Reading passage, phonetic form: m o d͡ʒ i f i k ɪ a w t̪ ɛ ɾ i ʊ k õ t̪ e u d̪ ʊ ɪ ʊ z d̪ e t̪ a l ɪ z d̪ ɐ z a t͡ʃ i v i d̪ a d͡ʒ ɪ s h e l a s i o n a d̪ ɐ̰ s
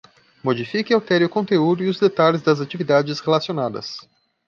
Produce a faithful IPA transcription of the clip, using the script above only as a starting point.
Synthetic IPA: m o d͡ʒ i f i k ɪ a w t̪ ɛ ɾ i ʊ k õ t̪ e u d̪ ʊ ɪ ʊ z d̪ e t̪ a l ɪ z d̪ ɐ z a t͡ʃ i v i d̪ a d͡ʒ ɪ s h e l a s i o n a d̪ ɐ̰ s